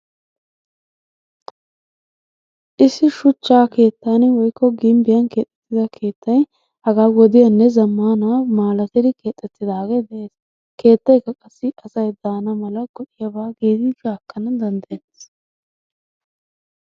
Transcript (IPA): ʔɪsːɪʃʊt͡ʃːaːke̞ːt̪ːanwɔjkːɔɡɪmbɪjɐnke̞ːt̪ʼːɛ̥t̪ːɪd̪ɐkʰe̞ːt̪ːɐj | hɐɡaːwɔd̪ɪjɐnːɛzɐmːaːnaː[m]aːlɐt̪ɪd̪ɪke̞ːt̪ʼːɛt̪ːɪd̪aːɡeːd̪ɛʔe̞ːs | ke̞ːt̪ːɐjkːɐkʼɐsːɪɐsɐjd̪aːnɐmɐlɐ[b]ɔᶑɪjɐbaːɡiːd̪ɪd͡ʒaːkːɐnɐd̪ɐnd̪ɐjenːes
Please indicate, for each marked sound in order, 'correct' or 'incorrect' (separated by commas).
correct, incorrect